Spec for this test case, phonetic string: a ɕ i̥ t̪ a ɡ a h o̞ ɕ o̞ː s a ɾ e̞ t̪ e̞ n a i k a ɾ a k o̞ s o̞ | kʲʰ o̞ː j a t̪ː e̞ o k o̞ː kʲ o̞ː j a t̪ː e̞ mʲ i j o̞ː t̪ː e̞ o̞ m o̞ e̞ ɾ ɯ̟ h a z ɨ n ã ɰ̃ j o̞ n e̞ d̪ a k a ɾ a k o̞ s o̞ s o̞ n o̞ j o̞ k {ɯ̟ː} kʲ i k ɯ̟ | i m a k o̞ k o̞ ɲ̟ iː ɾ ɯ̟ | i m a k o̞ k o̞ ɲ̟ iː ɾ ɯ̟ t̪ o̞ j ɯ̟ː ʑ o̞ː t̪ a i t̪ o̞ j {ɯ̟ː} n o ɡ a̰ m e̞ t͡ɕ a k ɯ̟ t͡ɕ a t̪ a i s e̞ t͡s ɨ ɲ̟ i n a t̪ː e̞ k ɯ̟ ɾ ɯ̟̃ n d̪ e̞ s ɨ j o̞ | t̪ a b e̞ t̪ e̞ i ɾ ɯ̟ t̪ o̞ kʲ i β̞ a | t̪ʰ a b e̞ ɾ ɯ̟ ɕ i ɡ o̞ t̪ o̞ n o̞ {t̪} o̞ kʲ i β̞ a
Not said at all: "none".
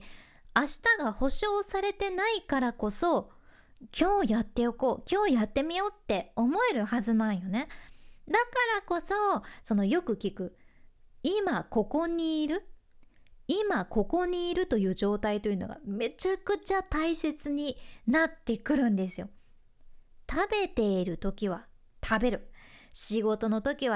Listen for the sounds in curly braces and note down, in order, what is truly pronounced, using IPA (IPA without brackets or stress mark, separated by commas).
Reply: ɯ̟, ɯ̟, t̪